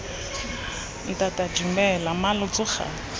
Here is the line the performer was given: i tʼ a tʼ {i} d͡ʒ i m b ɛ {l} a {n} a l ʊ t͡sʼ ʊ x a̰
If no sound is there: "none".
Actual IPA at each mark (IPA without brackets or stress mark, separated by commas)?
a, l, m